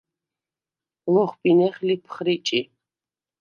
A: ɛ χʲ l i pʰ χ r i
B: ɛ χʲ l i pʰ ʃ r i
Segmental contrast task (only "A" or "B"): A